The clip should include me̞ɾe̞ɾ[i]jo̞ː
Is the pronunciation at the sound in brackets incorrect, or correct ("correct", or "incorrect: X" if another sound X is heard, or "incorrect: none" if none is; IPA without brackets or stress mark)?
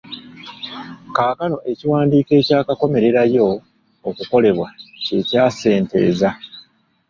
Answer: incorrect: a